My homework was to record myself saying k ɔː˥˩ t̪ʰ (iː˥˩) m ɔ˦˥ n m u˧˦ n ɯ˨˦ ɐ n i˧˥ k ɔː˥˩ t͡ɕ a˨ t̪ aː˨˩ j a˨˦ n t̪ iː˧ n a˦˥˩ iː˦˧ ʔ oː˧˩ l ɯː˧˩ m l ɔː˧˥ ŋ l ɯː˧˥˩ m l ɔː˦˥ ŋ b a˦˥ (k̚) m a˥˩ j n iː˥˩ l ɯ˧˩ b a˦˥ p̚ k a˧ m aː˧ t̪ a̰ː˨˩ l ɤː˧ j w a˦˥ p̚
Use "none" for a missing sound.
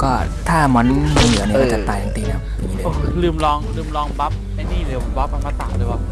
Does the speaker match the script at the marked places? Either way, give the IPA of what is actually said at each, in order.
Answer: aː˥˩, p̚

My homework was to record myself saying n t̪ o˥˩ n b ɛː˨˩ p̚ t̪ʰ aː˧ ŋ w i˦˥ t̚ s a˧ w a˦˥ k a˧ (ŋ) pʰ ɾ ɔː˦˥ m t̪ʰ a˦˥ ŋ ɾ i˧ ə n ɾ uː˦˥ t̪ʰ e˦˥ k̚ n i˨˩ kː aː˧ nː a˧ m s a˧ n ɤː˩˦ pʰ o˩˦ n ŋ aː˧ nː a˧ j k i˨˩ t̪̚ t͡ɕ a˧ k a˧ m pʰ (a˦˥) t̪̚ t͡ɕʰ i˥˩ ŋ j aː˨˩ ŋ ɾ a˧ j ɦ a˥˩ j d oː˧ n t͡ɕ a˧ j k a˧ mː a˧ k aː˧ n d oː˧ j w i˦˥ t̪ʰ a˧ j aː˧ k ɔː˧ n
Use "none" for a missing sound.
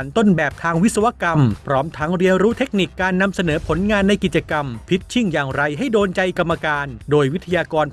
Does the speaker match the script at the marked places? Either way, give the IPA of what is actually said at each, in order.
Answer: m, i˦˥

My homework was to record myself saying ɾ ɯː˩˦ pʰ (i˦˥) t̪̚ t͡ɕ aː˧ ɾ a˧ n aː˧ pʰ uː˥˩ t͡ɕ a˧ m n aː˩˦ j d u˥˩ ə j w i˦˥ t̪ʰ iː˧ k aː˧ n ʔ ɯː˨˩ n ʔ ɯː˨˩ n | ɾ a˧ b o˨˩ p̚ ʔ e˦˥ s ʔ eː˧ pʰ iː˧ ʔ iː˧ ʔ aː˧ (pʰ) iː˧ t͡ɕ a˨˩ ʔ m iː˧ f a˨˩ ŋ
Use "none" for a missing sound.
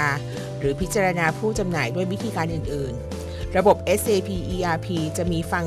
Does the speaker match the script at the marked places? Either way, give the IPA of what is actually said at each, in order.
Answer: i˦˥, pʰ

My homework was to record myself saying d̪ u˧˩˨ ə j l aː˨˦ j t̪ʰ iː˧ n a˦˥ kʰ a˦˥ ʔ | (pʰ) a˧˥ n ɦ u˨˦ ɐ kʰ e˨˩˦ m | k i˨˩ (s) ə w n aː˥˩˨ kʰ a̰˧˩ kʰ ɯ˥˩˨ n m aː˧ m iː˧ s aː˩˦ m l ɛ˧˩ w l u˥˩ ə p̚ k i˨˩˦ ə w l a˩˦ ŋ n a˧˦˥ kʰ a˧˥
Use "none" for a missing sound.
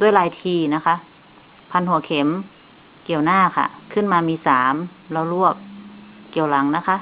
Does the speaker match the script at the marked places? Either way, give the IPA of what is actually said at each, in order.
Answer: pʰ, none

